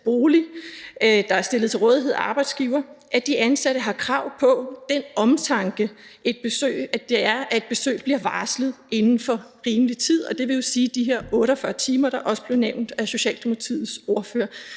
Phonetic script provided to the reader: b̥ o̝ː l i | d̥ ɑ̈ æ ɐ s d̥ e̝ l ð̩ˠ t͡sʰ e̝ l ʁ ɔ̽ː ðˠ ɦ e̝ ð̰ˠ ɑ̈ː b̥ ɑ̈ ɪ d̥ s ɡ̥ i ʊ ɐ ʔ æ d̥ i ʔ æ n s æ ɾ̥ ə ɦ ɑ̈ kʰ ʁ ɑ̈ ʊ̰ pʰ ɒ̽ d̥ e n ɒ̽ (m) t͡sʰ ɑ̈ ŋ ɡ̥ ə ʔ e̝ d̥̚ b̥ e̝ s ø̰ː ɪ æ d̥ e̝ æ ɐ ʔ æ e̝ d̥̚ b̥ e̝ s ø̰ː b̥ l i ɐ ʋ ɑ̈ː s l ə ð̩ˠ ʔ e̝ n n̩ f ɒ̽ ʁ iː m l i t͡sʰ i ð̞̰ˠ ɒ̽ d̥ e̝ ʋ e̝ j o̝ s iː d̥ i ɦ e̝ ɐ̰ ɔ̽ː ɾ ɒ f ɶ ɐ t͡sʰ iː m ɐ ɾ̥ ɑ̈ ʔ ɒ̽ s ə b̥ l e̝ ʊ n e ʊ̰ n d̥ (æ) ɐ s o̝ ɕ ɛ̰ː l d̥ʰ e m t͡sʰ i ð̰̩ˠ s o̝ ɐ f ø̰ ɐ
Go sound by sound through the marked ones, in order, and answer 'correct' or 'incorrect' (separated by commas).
correct, correct